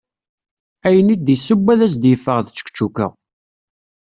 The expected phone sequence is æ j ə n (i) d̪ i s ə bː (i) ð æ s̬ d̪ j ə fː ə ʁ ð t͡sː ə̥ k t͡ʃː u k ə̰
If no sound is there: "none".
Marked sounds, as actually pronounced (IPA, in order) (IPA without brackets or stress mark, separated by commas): i, æ